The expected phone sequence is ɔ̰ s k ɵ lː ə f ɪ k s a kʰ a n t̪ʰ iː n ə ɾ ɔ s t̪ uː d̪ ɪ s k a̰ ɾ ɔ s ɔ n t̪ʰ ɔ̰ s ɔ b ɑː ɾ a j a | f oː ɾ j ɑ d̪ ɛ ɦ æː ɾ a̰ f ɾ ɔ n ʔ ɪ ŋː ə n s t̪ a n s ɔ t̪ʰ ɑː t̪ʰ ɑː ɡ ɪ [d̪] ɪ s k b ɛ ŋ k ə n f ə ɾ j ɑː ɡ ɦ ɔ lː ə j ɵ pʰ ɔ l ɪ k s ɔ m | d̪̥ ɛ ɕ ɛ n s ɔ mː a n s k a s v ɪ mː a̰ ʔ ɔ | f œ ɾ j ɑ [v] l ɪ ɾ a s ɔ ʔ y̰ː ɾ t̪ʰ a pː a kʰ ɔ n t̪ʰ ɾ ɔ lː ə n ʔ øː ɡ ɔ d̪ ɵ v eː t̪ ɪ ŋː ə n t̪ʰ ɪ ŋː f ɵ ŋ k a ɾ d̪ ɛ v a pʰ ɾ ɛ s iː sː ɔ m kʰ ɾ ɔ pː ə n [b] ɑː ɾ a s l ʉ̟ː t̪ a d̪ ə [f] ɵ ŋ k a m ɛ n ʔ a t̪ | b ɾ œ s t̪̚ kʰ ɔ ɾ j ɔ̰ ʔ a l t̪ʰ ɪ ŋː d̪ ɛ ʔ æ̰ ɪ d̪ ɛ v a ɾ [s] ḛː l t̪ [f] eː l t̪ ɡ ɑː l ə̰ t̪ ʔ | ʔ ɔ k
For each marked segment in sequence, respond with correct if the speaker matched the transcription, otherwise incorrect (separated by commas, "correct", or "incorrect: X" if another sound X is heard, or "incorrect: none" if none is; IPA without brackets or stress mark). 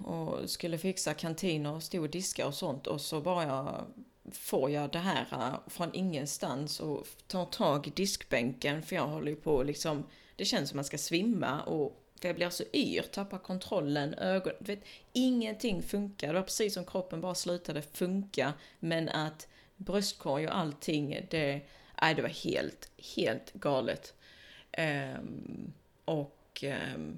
correct, incorrect: b, correct, correct, incorrect: h, incorrect: h